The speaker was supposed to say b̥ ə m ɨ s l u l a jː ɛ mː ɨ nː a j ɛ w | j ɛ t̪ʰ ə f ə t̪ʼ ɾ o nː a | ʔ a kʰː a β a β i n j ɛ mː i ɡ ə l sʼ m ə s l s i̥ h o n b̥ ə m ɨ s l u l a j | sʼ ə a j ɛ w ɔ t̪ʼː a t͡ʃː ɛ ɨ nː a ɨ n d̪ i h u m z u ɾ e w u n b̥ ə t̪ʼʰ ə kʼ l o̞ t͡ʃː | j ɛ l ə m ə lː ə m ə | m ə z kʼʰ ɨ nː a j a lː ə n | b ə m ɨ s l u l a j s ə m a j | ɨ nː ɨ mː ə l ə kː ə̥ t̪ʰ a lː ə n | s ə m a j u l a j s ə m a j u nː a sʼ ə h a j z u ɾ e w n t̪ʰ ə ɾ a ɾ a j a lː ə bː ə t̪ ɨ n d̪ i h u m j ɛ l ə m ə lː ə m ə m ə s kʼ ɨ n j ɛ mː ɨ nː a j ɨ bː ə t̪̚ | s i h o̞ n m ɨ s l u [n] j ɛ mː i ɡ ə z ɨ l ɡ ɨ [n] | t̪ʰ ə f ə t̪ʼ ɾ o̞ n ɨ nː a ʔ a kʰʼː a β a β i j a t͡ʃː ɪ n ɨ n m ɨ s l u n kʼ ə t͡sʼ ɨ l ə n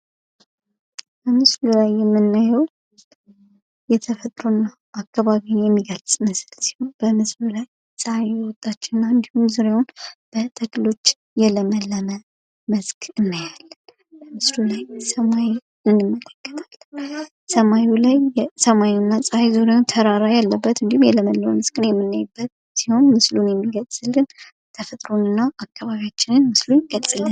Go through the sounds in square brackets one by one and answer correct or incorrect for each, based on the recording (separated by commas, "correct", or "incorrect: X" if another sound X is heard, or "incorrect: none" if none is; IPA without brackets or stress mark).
correct, correct